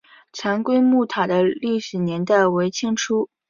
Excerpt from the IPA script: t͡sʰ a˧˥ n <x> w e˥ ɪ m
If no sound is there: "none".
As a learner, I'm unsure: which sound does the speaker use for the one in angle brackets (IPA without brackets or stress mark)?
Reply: k